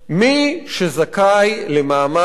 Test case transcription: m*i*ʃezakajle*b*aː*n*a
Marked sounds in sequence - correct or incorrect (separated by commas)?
correct, incorrect, incorrect